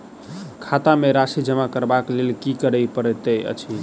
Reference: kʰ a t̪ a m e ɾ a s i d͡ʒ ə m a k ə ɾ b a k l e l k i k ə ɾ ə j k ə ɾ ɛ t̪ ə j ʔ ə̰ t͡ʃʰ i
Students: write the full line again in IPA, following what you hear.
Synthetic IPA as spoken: kʰ a t̪ a m e ɾ a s i d͡ʒ ə m a k ə ɾ b a k l e l k i k ə ɾ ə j p ə ɾ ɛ t̪ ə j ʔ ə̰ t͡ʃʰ i